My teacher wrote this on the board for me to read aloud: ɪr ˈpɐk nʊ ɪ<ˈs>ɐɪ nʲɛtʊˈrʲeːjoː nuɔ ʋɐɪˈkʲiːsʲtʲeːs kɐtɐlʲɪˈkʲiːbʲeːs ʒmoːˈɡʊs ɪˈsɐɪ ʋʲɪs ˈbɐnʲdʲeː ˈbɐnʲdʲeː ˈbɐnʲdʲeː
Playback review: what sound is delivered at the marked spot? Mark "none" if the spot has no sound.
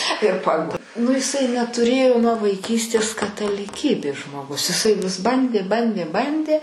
s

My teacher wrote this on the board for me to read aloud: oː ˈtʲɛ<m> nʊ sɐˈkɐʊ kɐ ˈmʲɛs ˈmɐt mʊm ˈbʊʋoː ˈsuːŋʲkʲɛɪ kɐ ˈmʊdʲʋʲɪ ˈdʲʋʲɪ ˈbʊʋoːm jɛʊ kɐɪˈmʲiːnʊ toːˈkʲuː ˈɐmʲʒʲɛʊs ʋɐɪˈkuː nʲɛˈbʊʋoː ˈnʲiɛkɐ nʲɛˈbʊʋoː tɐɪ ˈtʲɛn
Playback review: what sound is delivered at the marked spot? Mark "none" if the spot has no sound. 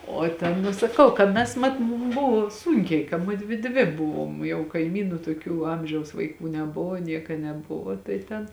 n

